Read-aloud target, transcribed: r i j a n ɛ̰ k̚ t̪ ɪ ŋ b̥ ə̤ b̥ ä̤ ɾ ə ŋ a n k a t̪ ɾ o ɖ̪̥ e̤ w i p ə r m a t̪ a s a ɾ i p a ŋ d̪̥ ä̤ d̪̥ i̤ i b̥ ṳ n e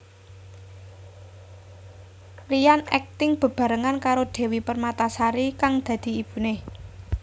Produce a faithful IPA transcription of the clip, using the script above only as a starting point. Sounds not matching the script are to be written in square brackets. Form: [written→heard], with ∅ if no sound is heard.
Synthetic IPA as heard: r i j a n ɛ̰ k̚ t̪ ɪ ŋ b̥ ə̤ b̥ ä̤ ɾ ə ŋ a n k a [t̪→∅] ɾ o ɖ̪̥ e̤ w i p ə r m a t̪ a s a ɾ i [p→k] a ŋ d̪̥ ä̤ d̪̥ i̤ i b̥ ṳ n e